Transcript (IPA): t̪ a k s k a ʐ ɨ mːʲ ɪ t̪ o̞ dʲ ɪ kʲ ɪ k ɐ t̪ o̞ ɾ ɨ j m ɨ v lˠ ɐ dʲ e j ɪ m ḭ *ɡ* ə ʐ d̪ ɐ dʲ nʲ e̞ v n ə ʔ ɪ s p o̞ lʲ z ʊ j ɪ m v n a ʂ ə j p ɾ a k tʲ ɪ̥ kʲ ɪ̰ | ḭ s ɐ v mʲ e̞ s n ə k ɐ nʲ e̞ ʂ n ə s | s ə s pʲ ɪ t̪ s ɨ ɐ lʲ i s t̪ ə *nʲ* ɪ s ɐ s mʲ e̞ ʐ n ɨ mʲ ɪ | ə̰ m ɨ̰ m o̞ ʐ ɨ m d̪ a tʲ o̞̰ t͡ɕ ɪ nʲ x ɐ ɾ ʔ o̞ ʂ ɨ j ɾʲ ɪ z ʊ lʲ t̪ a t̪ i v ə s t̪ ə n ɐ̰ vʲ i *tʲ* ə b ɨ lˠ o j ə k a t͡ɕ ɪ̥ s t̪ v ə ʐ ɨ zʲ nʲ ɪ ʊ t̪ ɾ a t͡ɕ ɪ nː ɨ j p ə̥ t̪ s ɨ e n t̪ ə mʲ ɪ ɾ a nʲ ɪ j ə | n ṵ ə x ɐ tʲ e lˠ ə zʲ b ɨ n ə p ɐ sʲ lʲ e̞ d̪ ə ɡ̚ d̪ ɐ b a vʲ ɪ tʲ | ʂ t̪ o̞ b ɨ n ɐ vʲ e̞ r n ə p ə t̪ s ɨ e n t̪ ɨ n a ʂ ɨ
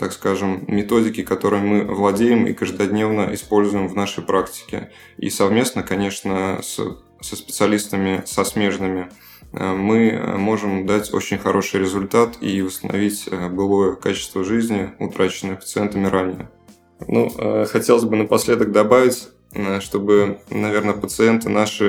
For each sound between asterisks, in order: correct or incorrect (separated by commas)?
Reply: incorrect, incorrect, correct